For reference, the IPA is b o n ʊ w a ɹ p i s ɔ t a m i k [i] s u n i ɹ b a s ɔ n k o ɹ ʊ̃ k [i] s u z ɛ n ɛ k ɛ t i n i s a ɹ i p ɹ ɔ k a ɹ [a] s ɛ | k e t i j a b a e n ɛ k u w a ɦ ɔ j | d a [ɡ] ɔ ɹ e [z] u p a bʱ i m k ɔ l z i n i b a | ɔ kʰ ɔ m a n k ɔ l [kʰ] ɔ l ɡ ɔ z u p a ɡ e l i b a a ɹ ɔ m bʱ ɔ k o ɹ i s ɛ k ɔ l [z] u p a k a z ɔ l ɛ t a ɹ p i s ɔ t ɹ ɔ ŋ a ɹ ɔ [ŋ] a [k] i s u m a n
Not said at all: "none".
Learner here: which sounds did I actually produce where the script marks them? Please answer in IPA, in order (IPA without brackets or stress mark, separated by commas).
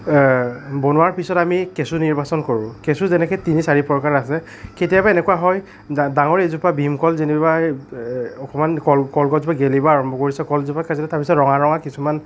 e, e, a, ŋ, z, k, z, ŋ, k